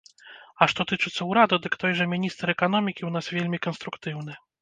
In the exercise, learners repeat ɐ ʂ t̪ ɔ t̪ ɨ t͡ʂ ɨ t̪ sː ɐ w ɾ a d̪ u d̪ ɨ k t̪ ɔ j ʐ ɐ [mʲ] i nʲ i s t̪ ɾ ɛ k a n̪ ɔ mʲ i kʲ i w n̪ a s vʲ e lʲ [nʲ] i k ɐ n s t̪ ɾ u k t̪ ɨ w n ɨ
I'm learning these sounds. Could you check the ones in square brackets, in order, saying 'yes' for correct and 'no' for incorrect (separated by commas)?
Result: yes, no